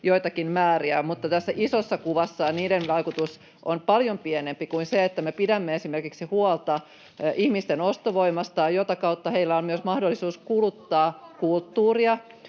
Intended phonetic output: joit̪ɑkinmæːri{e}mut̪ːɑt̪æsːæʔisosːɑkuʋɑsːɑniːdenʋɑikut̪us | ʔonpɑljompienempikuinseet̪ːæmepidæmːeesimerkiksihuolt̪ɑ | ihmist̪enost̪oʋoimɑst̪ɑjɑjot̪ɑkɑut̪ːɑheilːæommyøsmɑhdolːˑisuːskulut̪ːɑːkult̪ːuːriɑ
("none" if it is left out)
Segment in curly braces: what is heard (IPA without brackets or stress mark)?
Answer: æ